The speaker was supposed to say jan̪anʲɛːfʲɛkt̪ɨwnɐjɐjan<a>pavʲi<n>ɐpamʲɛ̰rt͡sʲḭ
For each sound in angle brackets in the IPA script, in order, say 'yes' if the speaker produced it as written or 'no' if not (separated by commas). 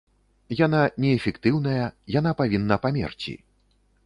yes, no